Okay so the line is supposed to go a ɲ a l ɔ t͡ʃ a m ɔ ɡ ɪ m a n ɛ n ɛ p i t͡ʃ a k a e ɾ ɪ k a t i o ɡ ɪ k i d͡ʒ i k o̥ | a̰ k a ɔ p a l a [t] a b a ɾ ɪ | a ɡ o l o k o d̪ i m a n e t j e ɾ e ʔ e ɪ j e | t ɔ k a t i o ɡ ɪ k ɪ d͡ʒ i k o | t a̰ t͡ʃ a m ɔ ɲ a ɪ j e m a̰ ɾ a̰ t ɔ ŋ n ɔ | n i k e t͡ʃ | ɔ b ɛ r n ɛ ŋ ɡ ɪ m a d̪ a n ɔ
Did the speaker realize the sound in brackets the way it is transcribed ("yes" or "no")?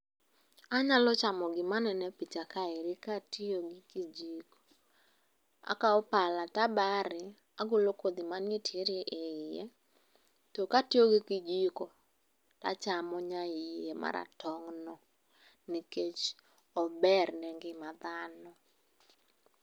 yes